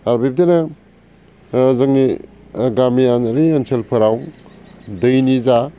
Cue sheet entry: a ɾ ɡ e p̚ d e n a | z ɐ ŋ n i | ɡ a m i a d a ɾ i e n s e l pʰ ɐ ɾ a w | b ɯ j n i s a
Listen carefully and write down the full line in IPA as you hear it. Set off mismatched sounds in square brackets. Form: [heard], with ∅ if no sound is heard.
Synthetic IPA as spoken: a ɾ [b] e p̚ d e n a | z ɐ ŋ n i | ɡ a m i a [n] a ɾ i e n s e l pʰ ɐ ɾ a w | [d] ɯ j n i [z] a